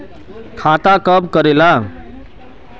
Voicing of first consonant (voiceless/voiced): voiceless